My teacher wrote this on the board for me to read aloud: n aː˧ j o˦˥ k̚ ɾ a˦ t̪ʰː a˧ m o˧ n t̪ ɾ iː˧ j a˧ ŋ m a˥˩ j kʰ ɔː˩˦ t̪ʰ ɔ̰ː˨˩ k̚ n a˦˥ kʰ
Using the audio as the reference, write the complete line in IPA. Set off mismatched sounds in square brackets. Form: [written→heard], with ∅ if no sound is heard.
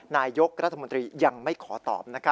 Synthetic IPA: n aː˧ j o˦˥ k̚ ɾ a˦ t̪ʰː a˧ m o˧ n t̪ ɾ iː˧ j a˧ ŋ m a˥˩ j kʰ ɔː˩˦ [t̪ʰ→t̪] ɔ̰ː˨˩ [k̚→p̚] n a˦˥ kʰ